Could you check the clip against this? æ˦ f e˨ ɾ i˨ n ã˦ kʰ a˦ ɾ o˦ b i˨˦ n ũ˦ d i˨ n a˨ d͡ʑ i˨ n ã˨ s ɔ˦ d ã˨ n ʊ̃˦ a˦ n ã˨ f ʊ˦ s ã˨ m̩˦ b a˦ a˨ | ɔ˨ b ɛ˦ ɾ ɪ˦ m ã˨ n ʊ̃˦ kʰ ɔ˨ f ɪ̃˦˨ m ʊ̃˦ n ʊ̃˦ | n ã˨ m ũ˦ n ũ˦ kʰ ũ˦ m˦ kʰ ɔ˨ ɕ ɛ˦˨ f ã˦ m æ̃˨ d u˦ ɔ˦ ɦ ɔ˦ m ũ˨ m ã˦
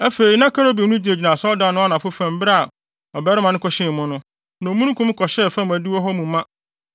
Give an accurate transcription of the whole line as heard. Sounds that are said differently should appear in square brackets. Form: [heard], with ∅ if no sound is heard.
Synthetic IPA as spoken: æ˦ f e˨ ɾ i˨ n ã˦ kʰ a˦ ɾ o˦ b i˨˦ n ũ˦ [d͡ʑ] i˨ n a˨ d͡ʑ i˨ n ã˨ s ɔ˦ d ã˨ n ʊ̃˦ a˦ n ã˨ f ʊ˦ [f] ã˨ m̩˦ b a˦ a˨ | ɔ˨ b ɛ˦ ɾ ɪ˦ m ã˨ n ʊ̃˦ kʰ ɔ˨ [ɕ] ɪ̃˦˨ m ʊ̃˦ n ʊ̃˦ | n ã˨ m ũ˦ n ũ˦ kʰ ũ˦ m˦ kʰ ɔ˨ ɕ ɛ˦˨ f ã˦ m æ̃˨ d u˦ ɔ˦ ɦ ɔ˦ m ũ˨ m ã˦

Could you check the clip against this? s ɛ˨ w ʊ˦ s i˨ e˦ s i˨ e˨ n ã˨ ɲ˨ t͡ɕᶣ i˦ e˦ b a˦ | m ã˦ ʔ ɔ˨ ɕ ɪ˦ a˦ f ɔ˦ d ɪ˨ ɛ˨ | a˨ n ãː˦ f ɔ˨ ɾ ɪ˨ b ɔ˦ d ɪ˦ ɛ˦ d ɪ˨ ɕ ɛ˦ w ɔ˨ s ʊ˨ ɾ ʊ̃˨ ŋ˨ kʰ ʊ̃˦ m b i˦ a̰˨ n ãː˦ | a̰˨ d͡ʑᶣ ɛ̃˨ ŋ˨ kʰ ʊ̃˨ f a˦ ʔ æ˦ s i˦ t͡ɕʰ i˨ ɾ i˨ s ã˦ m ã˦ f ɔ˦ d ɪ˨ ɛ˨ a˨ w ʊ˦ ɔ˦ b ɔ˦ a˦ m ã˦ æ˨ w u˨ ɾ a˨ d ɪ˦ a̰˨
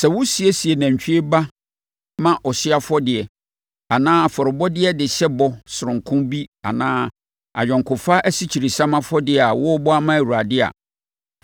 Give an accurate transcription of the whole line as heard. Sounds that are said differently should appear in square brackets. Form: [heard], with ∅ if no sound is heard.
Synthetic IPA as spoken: s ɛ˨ w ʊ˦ s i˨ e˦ s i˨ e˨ n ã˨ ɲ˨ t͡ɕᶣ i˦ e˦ b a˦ | m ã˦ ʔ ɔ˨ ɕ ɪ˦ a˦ f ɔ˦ d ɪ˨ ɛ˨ | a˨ n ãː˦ f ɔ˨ ɾ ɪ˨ b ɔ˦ d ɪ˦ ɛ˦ d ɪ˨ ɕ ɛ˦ [b] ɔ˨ s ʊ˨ ɾ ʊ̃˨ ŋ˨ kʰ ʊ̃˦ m b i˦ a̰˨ n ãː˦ | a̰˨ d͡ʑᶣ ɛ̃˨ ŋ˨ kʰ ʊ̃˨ f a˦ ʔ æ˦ s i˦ t͡ɕʰ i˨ ɾ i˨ s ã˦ m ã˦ f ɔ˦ d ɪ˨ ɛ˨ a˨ w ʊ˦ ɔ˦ b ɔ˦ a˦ m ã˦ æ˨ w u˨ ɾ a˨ d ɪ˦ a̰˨

